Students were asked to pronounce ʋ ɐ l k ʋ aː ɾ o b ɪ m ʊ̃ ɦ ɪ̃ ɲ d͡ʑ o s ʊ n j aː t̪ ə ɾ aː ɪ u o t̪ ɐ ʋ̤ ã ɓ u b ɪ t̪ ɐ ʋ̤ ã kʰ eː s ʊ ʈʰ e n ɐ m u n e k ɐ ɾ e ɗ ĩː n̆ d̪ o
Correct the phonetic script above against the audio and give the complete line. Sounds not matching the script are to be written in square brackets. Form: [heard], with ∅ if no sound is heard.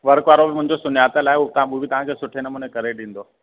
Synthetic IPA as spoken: ʋ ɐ [ɾ] k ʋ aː ɾ o b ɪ m ʊ̃ ɦ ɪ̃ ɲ d͡ʑ o s ʊ n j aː t̪ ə [l] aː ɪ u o t̪ ɐ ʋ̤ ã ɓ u b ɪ t̪ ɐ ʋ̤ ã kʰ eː s ʊ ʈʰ e n ɐ m u n e k ɐ ɾ e ɗ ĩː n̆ d̪ o